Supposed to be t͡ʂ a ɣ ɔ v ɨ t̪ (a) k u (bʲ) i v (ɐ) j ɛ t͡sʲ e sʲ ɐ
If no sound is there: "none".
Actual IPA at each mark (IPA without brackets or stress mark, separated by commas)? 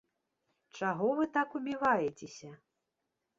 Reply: a, bʲ, a